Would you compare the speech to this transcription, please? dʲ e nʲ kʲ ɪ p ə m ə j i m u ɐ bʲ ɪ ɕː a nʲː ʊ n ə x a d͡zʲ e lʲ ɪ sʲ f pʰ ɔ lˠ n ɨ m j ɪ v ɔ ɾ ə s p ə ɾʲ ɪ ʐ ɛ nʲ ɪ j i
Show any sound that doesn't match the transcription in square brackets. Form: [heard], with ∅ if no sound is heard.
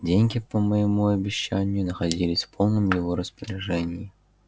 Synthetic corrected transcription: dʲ e nʲ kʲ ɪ p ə m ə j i m u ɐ bʲ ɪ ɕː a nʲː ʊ n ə x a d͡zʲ [i] lʲ ɪ sʲ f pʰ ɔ lˠ n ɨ m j ɪ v ɔ ɾ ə s p ə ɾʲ ɪ ʐ ɛ nʲ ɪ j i